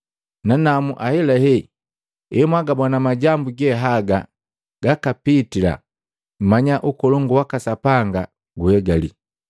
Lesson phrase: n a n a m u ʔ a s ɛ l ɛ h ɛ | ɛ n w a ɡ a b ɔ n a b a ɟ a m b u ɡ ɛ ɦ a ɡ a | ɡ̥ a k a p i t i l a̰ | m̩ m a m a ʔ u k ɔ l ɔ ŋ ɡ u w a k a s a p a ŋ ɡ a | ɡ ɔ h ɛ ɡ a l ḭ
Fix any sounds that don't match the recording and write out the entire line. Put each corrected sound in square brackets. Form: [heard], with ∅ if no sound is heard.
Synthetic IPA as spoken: n a n a m u ʔ a [h] ɛ l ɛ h ɛ | ɛ [m] w a ɡ a b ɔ n a [m] a ɟ a m b u ɡ ɛ ɦ a ɡ a | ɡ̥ a k a p i t i l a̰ | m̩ m a [ɲ] a ʔ u k ɔ l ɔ ŋ ɡ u w a k a s a p a ŋ ɡ a | ɡ [u] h ɛ ɡ a l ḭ